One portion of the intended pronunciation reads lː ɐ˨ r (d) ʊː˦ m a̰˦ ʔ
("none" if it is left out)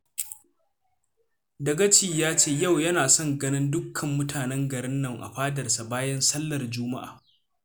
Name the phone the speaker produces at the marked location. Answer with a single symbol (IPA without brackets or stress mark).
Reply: d͡ʒ